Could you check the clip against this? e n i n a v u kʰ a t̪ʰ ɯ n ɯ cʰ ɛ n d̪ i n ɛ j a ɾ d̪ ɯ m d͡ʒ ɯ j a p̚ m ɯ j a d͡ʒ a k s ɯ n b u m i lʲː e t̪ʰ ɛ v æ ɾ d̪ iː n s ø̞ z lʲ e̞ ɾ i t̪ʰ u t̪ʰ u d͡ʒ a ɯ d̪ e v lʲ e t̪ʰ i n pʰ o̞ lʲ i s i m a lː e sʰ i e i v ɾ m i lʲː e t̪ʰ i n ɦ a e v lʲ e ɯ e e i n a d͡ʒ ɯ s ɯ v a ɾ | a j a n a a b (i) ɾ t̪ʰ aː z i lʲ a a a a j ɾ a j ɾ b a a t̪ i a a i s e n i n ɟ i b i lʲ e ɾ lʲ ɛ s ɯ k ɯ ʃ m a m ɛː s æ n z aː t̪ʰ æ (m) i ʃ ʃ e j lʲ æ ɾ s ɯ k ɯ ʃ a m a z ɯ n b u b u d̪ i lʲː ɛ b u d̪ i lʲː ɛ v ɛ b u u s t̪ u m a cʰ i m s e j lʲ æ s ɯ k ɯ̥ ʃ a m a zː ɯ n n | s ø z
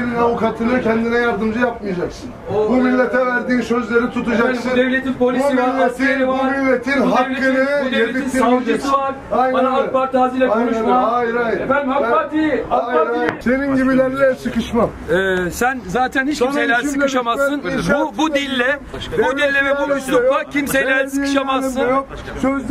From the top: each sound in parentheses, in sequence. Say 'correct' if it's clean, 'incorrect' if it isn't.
incorrect, incorrect

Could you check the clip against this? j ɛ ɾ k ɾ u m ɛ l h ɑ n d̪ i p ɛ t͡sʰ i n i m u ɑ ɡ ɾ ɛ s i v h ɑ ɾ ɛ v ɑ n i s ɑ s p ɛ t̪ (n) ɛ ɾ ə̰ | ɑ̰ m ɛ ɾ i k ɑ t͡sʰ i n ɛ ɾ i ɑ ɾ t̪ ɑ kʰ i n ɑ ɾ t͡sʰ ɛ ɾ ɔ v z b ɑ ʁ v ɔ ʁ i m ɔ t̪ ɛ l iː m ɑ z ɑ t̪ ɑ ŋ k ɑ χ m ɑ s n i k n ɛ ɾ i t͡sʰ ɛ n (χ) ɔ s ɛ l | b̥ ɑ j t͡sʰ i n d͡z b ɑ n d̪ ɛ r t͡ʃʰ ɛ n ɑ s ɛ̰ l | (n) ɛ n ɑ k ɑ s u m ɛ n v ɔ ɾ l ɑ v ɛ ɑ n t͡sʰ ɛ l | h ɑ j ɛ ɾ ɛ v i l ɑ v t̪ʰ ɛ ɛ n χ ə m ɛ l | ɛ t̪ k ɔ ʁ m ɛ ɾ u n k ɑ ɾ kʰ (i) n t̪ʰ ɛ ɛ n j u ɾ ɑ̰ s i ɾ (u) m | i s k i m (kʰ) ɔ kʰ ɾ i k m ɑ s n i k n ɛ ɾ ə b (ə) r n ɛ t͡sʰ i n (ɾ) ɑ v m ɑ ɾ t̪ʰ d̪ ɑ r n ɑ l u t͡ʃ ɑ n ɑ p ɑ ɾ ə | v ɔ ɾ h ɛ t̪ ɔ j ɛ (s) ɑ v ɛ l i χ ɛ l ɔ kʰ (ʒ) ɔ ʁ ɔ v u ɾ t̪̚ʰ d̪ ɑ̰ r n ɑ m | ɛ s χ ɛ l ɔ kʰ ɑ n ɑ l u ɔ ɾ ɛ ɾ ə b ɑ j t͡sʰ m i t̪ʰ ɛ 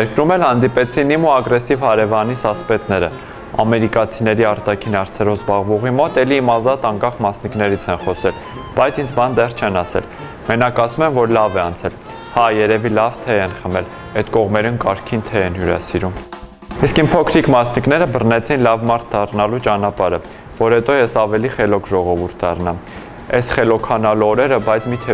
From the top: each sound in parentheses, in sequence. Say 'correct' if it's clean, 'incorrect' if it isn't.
correct, correct, incorrect, correct, correct, incorrect, correct, incorrect, correct, correct

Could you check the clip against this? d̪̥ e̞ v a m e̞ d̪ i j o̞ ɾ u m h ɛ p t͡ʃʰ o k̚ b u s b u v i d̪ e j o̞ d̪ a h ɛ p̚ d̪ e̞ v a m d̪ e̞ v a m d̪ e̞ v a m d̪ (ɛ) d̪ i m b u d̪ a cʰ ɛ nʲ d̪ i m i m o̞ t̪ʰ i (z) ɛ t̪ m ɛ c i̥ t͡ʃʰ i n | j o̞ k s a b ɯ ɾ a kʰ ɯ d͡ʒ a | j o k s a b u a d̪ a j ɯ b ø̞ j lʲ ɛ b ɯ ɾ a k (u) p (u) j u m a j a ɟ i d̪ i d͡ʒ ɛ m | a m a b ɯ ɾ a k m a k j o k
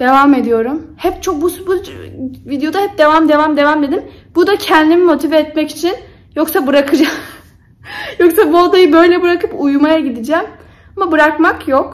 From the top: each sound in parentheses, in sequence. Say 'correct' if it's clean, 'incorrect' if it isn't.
incorrect, incorrect, incorrect, correct

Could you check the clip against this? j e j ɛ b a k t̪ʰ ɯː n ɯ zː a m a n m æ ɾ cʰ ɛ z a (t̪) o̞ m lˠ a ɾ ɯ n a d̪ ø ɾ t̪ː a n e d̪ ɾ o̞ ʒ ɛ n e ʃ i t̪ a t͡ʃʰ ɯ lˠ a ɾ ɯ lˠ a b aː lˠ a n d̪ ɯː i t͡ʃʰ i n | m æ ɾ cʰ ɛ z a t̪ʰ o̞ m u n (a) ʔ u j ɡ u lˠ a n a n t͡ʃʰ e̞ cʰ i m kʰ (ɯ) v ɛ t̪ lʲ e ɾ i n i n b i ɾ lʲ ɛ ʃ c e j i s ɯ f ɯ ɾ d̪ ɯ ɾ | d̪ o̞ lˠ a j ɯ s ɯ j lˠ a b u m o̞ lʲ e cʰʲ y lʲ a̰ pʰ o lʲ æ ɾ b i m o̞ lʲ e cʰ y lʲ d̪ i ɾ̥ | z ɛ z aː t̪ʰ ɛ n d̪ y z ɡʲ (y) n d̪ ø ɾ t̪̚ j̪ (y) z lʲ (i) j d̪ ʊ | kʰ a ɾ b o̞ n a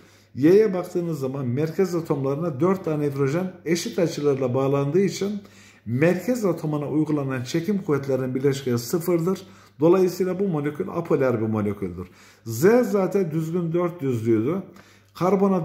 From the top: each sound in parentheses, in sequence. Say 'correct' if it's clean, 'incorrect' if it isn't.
incorrect, correct, incorrect, correct, correct, incorrect

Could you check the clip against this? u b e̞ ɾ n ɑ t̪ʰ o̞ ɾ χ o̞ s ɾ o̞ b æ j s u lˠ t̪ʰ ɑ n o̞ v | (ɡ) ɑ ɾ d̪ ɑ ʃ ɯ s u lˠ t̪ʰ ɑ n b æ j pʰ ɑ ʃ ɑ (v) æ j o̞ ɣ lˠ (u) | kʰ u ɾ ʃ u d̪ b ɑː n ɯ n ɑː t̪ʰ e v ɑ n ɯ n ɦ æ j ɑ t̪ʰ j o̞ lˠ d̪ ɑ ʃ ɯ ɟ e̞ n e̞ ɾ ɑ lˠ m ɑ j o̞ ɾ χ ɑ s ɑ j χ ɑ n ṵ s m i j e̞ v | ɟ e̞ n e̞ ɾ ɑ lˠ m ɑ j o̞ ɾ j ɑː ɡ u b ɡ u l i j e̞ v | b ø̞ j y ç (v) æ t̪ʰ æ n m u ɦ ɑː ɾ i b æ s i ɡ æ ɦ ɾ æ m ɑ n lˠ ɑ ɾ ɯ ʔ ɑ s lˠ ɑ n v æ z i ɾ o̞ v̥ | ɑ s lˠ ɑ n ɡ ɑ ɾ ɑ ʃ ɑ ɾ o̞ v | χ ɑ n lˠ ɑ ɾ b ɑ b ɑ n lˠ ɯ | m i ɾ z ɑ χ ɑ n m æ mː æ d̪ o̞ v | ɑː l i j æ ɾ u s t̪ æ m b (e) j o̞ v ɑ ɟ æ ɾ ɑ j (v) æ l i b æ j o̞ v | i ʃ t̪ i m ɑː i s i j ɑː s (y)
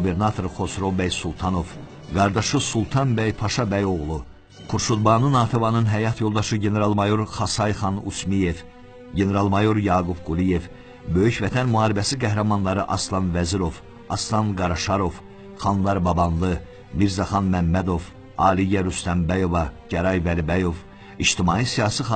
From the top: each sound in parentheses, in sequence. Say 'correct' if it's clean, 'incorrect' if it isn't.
correct, incorrect, correct, correct, incorrect, correct, incorrect

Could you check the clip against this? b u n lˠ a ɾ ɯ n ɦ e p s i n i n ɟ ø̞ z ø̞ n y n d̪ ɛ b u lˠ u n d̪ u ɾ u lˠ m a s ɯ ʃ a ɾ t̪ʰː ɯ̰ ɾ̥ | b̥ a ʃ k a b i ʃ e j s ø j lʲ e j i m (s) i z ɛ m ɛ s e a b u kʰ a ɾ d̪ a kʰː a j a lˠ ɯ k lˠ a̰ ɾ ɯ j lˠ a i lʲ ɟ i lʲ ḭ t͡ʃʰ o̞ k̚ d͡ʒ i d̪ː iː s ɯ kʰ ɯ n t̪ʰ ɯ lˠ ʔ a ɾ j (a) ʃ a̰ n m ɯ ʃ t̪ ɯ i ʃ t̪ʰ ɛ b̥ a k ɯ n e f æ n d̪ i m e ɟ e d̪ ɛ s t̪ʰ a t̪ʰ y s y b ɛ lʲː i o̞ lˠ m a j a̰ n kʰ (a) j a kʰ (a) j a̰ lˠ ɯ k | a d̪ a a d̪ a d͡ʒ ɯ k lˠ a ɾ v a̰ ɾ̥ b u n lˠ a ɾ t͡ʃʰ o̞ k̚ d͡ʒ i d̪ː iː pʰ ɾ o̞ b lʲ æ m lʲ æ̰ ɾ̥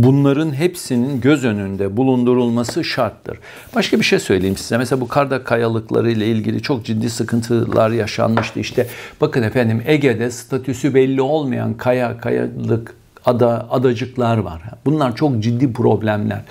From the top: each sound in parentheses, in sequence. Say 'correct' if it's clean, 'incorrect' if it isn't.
correct, correct, correct, correct

